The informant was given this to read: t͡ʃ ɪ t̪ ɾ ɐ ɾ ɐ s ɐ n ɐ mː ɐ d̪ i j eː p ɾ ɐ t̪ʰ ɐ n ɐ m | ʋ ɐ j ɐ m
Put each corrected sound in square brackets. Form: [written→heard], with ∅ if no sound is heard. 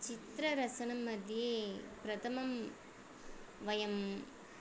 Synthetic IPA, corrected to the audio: t͡ʃ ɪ t̪ ɾ ɐ ɾ ɐ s ɐ n ɐ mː ɐ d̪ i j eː p ɾ ɐ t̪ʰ ɐ [n→m] ɐ m | ʋ ɐ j ɐ m